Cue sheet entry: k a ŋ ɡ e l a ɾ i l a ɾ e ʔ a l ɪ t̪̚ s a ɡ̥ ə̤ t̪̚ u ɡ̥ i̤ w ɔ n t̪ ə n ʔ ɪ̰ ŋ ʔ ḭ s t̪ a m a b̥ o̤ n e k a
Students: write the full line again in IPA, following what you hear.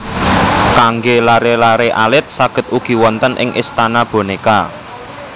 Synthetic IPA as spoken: k a ŋ ɡ e l a ɾ e l a ɾ e ʔ a l ɪ t̪̚ s a ɡ̥ ə̤ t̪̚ u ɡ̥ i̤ w ɔ n t̪ ə n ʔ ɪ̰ ŋ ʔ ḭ s t̪ a n a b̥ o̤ n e k a